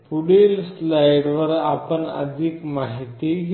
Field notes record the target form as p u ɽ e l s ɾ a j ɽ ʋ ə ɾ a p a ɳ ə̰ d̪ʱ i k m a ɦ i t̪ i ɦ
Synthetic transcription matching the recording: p u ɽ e l s l a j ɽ ʋ ə ɾ a p ə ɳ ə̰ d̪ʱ i k m a ɦ i t̪ i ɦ